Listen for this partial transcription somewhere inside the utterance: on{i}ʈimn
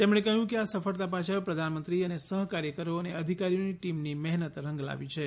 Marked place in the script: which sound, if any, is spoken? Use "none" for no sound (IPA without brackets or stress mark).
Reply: i